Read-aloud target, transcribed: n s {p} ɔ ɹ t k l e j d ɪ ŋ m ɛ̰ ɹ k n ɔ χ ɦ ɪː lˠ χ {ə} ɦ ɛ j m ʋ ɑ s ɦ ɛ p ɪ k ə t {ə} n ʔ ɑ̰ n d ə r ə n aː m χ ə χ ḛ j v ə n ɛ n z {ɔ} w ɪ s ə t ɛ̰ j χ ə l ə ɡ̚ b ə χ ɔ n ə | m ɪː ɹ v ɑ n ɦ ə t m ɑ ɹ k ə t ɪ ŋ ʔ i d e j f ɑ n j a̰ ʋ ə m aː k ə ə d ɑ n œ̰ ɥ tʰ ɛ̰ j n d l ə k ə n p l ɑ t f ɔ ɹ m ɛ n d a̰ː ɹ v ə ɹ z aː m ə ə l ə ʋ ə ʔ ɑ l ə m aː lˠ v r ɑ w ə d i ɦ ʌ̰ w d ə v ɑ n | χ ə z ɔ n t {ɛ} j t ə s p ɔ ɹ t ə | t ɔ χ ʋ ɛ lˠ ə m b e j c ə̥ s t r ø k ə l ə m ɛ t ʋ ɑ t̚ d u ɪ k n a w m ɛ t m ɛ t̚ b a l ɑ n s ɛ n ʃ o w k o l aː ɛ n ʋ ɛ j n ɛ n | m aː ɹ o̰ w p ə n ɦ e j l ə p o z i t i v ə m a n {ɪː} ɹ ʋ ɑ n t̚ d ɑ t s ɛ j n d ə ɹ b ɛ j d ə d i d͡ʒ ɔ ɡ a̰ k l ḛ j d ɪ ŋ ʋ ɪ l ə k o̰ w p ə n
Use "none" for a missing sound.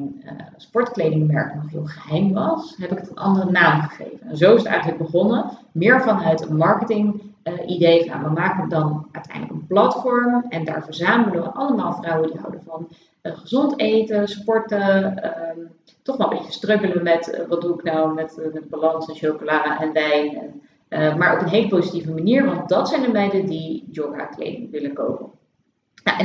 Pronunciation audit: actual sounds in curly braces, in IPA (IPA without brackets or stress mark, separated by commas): p, ə, ə, o, e, iː